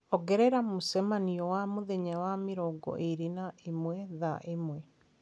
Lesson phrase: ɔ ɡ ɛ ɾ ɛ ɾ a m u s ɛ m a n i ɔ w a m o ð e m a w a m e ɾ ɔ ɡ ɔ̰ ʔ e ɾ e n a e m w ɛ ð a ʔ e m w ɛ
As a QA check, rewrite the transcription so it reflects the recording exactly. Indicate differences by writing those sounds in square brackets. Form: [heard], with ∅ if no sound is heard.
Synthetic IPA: ɔ ɡ ɛ ɾ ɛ ɾ a m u s ɛ m a n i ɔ w a m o ð e [ɲ] a w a m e ɾ ɔ ɡ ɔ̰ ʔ e ɾ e n a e m w ɛ ð a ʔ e m w ɛ